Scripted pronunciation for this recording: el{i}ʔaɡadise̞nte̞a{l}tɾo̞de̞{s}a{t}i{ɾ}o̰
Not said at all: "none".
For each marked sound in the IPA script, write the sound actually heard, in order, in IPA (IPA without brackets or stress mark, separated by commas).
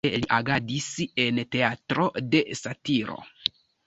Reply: i, none, s, t, ɾ